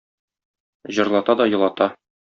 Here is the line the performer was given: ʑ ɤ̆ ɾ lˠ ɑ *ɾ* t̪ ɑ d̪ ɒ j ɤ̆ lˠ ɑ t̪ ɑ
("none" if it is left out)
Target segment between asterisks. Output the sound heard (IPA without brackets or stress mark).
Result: none